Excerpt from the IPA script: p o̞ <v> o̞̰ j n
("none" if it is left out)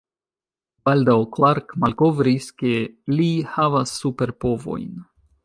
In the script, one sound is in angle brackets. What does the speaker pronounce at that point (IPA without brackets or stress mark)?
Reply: v